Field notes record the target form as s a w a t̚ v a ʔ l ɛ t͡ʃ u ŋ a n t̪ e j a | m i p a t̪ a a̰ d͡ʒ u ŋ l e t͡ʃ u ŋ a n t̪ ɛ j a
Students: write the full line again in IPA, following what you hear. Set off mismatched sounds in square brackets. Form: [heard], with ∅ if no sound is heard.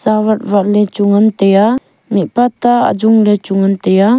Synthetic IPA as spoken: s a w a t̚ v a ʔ l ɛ t͡ʃ u ŋ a n t̪ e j a | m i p a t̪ a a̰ d͡ʒ u ŋ l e t͡ʃ u ŋ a n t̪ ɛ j a